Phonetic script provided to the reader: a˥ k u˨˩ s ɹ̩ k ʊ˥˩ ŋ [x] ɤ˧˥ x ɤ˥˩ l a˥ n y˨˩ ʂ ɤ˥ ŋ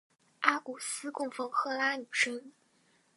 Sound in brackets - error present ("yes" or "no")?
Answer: yes